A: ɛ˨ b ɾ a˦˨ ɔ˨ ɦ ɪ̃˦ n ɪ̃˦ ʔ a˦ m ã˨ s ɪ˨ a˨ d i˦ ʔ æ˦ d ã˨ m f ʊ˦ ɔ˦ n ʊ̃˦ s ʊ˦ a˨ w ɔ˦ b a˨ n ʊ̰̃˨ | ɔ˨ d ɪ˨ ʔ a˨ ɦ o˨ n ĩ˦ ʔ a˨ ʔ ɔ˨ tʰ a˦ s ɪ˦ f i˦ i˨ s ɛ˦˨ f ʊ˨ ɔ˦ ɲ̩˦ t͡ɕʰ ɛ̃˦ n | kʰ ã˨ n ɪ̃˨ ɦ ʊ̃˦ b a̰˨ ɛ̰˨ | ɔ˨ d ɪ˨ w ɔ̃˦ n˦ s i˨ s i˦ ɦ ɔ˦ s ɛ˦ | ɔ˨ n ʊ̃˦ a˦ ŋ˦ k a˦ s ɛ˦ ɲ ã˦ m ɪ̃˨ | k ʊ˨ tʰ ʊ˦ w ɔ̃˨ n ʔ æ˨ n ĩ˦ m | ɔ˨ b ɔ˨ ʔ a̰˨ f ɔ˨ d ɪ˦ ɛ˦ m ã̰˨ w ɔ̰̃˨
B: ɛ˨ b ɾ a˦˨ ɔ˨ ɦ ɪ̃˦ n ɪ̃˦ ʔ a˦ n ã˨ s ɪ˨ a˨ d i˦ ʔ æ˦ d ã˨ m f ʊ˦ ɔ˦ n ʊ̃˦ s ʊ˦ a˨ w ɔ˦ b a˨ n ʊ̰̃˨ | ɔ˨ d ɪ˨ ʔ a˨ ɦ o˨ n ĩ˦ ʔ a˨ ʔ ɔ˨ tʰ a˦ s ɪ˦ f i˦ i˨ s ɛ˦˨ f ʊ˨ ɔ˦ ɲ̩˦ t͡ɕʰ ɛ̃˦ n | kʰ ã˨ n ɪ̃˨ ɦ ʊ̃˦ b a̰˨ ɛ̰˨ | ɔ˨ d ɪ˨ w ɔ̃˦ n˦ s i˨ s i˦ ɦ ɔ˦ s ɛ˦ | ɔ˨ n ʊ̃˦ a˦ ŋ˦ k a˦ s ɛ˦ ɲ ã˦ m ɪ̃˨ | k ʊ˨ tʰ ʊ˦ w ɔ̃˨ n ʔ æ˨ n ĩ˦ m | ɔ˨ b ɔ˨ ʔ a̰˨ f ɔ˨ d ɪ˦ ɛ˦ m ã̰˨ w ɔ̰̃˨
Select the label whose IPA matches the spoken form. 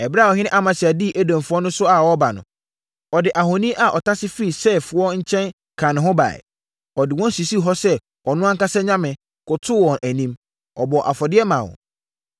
A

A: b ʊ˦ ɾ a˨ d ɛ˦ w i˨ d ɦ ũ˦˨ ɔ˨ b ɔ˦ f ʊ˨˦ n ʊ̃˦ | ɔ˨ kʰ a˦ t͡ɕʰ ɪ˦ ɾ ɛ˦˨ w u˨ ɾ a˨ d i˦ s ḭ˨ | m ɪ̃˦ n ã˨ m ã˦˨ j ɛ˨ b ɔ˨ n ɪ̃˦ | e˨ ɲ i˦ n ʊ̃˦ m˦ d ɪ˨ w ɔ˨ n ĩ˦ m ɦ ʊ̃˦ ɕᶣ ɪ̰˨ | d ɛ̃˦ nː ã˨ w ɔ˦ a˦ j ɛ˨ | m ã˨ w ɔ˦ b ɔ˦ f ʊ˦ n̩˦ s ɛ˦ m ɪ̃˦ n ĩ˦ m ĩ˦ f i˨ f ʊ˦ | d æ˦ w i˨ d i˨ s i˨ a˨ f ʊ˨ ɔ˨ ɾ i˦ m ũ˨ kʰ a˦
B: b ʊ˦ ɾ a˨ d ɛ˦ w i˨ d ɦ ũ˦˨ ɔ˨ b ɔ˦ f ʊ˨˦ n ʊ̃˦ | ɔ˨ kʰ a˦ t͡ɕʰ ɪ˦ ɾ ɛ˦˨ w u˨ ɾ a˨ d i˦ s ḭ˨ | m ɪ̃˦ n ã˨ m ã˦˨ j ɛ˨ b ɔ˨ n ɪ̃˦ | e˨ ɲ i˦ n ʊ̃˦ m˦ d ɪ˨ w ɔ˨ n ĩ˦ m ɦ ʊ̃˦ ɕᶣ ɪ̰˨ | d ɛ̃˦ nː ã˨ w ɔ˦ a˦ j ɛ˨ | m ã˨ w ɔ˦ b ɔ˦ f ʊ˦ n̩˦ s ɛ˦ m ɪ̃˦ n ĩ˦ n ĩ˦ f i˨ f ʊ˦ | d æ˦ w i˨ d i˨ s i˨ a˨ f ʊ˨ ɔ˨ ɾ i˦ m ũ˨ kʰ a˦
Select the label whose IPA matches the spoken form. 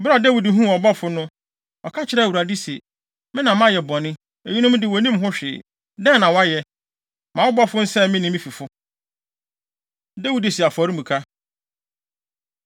A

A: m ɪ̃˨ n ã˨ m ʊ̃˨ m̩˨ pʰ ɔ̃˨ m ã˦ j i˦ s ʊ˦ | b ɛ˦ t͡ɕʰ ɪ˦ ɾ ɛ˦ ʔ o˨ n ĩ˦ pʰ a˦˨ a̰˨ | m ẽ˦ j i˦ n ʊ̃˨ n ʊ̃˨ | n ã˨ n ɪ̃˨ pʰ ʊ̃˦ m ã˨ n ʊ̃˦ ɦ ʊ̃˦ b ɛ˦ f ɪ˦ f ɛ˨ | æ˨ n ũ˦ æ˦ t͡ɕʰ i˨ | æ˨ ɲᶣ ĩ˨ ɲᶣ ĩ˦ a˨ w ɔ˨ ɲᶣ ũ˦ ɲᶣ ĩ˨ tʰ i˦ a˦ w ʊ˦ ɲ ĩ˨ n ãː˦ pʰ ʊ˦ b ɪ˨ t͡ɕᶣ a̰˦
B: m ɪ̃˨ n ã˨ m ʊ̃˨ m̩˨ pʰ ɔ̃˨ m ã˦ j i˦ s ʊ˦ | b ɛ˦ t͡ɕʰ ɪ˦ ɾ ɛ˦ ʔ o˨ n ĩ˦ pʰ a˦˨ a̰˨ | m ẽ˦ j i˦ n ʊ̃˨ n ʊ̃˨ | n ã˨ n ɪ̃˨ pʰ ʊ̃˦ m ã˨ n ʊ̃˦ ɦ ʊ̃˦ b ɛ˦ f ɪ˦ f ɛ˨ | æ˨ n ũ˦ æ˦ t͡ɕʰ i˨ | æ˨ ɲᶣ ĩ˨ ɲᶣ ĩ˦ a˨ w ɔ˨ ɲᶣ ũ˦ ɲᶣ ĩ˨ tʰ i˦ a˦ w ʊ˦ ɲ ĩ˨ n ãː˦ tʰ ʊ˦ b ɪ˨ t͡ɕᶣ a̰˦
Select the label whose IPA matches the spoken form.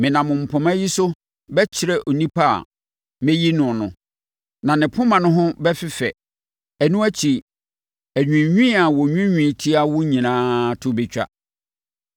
B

